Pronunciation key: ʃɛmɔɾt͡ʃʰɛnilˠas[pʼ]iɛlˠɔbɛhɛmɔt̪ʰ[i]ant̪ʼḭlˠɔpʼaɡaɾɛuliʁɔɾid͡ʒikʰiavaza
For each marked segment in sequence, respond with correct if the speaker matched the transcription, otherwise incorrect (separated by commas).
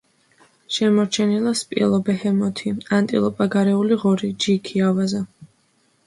correct, correct